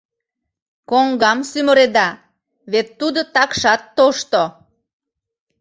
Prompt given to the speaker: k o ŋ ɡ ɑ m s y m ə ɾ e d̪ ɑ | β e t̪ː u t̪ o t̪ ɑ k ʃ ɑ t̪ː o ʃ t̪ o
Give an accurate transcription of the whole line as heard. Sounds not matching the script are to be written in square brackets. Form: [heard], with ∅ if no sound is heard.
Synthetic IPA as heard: k o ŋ ɡ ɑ m s y m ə ɾ e d̪ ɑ | β e t̪ː u [d̪] o t̪ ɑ k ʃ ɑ t̪ː o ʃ t̪ o